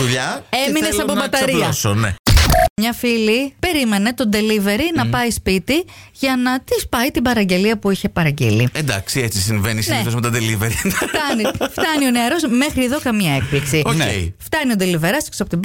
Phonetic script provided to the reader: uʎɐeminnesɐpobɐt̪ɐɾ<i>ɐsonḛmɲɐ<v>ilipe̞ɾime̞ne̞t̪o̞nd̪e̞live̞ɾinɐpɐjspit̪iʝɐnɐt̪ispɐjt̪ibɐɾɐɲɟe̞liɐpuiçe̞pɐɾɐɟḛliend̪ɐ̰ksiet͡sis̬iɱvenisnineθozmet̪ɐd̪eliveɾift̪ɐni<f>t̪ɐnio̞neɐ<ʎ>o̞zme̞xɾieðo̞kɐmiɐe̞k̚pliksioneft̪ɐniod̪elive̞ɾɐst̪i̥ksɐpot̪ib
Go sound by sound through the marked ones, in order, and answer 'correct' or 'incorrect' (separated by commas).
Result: correct, incorrect, correct, incorrect